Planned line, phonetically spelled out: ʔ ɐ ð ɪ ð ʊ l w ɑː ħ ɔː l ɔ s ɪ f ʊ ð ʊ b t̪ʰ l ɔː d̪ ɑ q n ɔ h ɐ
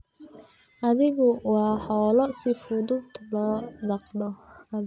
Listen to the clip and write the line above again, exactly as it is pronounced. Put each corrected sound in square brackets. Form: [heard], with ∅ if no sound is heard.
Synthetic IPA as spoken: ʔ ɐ ð ɪ [ɣ] ʊ [∅] w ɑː ħ ɔː l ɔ s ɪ f ʊ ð ʊ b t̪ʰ l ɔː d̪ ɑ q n ɔ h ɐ